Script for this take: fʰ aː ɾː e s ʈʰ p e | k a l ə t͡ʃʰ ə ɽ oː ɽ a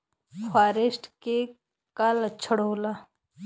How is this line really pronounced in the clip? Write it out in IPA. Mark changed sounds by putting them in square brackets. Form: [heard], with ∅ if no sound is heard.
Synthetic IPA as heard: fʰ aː [ɾ] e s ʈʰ [k] e | k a l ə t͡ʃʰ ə ɽ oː [l] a